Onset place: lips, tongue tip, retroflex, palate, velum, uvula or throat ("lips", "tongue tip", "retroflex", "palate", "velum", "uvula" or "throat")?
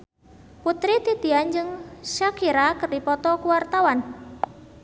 lips